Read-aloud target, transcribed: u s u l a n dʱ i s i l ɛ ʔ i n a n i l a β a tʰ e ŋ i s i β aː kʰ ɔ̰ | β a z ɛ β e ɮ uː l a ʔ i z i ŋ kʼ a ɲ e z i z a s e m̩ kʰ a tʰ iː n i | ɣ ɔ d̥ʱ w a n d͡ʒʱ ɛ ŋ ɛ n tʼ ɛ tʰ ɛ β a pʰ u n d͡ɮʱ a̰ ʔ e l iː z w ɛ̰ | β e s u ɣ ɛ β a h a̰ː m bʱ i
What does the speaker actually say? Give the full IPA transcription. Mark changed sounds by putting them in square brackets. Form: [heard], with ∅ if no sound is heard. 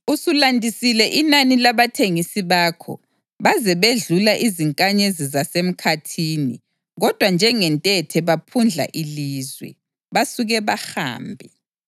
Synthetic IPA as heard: u s u l a n dʱ i s i l ɛ ʔ i n a n i l a β a tʰ e ŋ i s i β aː kʰ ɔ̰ | β a z ɛ β e ɮ [u] l a ʔ i z i ŋ kʼ a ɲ e z i z a s e m̩ kʰ a tʰ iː n i | ɣ ɔ d̥ʱ w a n d͡ʒʱ ɛ ŋ ɛ n tʼ ɛ tʰ ɛ β a pʰ u n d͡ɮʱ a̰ ʔ [i] l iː z w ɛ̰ | β [a] s u ɣ ɛ β a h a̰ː m bʱ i